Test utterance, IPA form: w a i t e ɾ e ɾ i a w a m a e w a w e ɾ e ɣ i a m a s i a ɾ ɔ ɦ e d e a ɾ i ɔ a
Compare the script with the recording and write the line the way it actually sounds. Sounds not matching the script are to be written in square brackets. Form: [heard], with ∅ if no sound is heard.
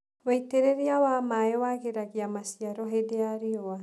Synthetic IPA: w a i t e ɾ e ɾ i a w a m a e w a [ɣ] e ɾ [a] ɣ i a m a s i a ɾ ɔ ɦ e d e a ɾ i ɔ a